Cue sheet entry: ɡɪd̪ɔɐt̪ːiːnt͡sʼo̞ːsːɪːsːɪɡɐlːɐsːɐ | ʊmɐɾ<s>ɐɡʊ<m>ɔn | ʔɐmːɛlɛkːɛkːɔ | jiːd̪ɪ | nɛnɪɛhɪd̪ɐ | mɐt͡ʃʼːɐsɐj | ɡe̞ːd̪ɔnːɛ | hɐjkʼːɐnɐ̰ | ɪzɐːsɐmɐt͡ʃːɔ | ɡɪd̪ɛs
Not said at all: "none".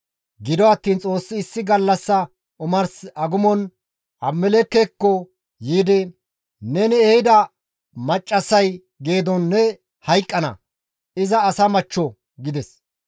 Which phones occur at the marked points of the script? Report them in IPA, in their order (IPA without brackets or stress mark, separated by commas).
s, m